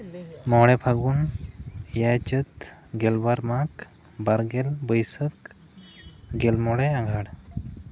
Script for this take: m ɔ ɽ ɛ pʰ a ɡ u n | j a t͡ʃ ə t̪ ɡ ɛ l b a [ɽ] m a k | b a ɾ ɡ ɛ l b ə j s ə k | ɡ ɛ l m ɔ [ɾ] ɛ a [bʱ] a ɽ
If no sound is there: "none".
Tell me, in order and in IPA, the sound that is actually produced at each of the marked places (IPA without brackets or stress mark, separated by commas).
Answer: ɾ, ɽ, ɡʱ